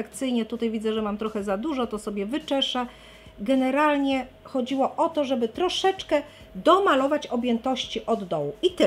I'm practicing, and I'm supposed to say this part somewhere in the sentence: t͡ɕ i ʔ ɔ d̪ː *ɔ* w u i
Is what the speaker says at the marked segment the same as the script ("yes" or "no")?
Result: yes